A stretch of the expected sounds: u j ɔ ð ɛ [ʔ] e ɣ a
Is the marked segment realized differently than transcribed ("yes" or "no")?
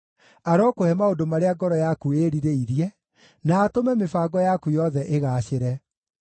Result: no